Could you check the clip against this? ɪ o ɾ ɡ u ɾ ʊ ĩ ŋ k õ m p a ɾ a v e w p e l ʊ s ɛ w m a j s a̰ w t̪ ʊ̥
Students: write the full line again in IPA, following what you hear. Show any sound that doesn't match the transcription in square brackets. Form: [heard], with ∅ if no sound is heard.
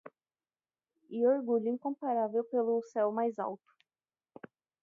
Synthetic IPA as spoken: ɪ o ɾ ɡ u [ʎ] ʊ ĩ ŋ k õ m p a ɾ a v e w p e l ʊ s ɛ w m a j [z] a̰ w t̪ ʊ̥